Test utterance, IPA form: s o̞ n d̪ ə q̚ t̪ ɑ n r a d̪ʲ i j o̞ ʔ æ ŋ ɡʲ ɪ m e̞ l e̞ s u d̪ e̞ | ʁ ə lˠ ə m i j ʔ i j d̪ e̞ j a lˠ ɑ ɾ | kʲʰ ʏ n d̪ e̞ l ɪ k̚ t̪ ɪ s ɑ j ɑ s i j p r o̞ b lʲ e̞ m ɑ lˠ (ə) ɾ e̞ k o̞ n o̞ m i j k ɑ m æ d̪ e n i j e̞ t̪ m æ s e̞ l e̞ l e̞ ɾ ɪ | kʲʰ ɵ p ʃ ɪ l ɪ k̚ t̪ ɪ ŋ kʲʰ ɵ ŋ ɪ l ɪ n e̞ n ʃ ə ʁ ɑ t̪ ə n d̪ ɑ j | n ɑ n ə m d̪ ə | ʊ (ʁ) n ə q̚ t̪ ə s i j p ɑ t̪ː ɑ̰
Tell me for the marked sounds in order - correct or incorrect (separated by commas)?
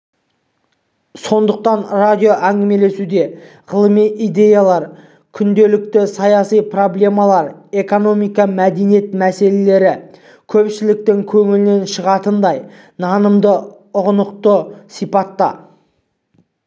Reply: incorrect, correct